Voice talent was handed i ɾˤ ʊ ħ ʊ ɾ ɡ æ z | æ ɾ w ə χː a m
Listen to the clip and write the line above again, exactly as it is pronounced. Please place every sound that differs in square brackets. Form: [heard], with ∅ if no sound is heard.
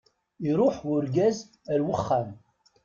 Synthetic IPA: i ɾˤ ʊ ħ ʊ ɾ ɡ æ z | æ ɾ w ə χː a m